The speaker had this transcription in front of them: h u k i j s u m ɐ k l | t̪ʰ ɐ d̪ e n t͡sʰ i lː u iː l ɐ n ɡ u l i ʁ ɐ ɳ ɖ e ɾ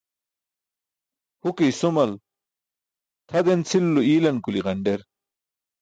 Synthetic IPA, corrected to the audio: h u k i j s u m ɐ l | t̪ʰ ɐ d̪ e n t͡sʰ i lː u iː l ɐ n k u l i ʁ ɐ ɳ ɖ e ɾ